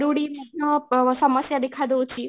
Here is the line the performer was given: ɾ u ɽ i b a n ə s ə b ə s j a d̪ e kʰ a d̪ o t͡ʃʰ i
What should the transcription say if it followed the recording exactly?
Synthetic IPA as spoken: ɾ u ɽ i m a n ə s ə m ə s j a d̪ e kʰ a d̪ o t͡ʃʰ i